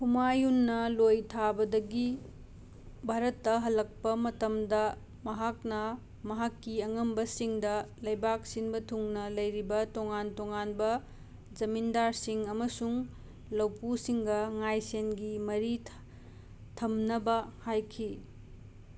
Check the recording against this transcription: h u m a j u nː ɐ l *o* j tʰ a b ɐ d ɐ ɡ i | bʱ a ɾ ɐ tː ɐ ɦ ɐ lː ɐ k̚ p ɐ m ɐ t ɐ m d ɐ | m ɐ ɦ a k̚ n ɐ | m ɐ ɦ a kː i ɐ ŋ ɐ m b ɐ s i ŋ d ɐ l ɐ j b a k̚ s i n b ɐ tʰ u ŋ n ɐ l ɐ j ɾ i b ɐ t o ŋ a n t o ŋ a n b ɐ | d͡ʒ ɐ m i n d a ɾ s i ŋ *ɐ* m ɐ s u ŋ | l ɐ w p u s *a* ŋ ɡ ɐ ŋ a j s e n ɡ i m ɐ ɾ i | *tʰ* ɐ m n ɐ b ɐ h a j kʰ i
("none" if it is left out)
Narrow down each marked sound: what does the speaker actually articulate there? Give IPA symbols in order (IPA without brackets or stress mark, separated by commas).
o, ɐ, i, tʰ